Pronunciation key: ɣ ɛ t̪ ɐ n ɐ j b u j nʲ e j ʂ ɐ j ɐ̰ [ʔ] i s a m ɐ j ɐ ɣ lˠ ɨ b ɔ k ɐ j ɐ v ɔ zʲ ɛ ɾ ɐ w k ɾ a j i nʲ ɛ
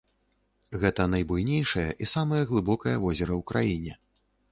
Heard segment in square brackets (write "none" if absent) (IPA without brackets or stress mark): ʔ